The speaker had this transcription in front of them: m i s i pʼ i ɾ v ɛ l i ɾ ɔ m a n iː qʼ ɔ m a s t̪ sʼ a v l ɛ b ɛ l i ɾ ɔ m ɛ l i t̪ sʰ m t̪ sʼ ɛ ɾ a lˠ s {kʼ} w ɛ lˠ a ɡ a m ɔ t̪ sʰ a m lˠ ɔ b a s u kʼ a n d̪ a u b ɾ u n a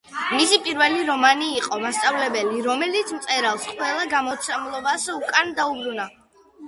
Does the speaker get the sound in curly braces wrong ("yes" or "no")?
yes